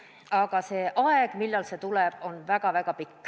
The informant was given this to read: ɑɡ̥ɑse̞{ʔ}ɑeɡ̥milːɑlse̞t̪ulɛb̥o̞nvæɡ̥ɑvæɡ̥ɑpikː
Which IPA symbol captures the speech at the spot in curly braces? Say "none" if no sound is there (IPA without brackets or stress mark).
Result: ʔ